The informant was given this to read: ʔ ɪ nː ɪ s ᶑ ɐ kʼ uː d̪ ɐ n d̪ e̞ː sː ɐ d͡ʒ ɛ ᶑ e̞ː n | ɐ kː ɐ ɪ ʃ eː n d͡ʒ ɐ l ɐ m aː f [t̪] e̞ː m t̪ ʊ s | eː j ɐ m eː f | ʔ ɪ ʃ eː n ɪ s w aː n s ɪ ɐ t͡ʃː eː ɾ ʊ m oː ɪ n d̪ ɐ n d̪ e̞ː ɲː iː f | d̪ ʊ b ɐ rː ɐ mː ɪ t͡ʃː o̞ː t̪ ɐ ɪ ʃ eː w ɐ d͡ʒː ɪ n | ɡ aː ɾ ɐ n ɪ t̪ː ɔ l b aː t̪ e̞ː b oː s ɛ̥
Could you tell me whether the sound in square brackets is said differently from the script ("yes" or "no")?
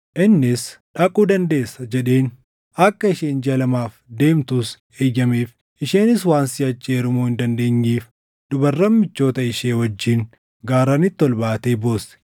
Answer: yes